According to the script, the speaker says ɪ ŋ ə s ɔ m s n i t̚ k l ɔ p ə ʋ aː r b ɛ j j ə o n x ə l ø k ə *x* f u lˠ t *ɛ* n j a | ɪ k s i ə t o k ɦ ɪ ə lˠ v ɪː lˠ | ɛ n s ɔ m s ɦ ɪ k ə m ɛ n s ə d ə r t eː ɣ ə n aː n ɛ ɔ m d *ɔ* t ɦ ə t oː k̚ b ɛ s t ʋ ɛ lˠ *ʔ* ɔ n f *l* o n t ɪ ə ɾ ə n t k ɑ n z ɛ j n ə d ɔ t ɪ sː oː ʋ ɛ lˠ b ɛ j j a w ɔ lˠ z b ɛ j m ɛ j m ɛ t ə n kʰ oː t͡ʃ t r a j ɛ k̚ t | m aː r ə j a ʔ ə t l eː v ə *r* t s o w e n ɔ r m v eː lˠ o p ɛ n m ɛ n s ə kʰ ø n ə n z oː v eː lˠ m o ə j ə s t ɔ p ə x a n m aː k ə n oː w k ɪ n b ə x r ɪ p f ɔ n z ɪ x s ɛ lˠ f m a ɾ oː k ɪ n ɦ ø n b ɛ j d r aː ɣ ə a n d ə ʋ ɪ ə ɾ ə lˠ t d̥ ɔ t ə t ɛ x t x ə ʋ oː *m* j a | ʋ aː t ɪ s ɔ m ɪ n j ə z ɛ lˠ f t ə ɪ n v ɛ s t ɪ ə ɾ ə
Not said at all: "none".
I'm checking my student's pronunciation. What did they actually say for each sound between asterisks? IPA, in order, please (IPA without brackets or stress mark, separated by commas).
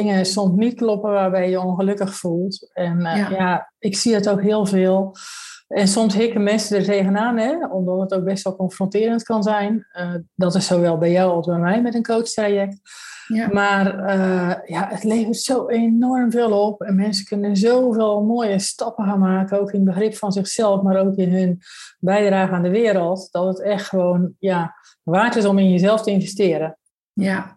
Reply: x, ɛ, ɔ, k, r, r, n